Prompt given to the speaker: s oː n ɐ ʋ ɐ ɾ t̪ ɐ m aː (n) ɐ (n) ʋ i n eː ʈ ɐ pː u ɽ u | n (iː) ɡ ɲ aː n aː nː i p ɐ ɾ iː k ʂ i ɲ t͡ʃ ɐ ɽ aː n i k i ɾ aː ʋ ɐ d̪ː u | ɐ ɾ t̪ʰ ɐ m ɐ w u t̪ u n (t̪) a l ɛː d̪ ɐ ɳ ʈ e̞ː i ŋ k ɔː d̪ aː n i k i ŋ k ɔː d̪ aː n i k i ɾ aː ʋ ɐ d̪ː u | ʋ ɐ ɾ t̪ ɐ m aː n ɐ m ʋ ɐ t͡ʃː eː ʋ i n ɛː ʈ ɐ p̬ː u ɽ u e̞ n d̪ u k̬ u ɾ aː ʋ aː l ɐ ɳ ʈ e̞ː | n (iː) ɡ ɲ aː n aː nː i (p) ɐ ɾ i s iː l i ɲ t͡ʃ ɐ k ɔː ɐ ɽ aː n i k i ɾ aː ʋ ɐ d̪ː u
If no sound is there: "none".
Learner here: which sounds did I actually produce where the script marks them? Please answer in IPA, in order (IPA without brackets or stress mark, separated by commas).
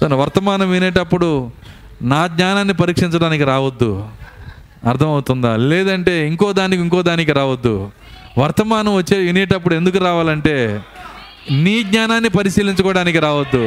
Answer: n, m, aː, d̪, iː, p